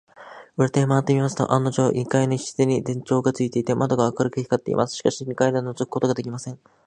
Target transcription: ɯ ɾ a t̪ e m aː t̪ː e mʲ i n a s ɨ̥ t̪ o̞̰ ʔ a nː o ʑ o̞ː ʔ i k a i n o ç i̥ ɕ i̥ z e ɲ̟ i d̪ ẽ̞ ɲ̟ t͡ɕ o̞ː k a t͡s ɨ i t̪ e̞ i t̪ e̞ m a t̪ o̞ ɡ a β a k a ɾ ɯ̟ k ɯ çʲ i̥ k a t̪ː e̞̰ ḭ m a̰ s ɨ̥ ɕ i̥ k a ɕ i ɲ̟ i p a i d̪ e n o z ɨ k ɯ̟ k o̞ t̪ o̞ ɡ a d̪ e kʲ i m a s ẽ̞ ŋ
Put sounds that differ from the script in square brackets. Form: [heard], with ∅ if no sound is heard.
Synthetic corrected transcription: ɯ ɾ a t̪ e m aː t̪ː e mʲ i [m] a s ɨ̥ t̪ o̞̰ ʔ a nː o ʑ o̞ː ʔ i k a i n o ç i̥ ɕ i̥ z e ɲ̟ i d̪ ẽ̞ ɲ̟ t͡ɕ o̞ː [ɡ] a t͡s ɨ i t̪ e̞ i t̪ e̞ m a [d̪] o̞ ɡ a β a k a ɾ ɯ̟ k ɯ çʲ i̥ k a t̪ː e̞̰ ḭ m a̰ s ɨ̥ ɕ i̥ k a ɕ i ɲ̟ i [k] a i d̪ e n o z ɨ k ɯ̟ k o̞ t̪ o̞ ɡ a d̪ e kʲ i m a s ẽ̞ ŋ